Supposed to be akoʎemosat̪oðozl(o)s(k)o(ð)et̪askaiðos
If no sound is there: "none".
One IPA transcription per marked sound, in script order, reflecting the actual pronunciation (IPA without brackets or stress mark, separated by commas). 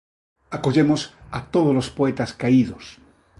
o, p, none